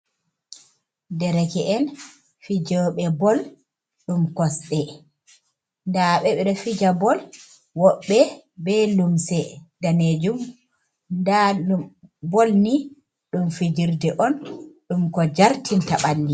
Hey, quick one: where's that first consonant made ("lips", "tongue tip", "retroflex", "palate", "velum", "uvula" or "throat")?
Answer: tongue tip